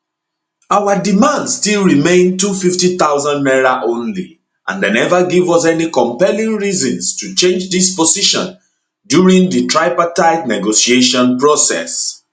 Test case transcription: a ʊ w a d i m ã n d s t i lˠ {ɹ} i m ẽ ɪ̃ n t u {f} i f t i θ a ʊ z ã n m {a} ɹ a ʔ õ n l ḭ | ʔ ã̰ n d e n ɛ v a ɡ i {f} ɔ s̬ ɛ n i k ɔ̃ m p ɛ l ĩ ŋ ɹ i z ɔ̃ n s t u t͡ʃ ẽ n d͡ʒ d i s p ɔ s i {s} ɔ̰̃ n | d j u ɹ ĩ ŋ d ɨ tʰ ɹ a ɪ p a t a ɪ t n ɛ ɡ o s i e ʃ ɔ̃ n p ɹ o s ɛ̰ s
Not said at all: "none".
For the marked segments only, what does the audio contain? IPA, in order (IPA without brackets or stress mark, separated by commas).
ɹ, f, ɛ, v, ʃ